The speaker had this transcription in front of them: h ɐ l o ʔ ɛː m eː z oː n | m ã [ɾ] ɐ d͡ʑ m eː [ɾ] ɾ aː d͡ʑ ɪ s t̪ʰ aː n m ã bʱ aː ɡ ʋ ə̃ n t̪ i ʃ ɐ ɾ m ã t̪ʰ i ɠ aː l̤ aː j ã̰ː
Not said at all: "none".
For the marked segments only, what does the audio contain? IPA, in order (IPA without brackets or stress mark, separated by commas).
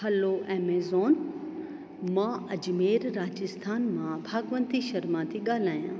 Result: none, ɾ